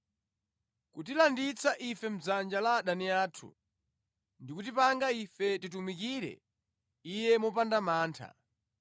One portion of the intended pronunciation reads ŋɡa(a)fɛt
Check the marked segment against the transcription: incorrect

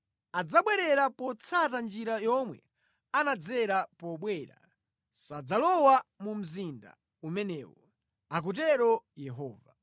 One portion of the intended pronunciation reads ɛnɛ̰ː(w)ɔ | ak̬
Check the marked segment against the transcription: correct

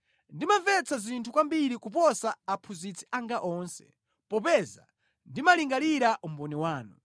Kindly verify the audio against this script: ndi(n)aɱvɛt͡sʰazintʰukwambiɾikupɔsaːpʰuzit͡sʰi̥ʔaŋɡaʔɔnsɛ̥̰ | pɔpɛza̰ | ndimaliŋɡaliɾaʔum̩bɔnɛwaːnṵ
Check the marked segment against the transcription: incorrect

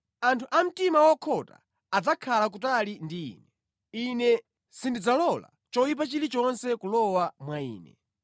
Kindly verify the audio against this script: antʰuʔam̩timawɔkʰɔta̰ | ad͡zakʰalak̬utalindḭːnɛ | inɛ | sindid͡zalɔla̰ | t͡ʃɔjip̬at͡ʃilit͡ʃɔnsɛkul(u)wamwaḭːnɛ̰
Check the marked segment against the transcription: incorrect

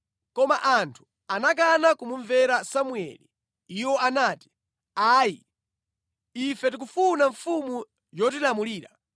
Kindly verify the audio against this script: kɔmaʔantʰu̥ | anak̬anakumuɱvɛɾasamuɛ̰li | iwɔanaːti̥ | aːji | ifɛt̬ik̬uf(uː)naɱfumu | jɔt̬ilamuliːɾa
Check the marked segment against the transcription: incorrect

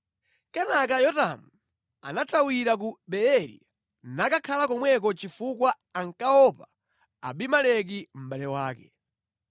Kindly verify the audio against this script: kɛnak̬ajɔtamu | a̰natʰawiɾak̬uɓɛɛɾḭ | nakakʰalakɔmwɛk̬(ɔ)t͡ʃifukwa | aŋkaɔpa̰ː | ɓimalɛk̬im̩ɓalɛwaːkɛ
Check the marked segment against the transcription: correct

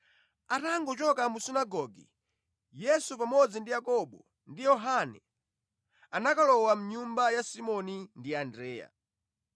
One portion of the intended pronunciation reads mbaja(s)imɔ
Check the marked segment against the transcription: correct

